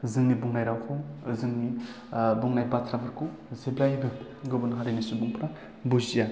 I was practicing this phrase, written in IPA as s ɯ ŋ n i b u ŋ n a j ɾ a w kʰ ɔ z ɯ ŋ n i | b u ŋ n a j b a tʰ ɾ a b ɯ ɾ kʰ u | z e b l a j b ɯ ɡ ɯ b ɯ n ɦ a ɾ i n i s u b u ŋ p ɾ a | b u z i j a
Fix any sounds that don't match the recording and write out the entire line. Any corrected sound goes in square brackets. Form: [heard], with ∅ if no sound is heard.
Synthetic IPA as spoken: [z] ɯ ŋ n i b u ŋ n a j ɾ a w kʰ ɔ z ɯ ŋ n i | b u ŋ n a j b a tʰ ɾ a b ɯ ɾ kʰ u | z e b l a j b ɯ ɡ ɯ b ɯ n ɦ a ɾ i n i s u b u ŋ p ɾ a | b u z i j a